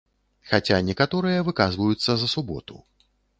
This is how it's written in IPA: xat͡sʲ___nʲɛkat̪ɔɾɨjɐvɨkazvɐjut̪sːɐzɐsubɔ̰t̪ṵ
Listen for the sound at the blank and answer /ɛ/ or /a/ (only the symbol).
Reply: a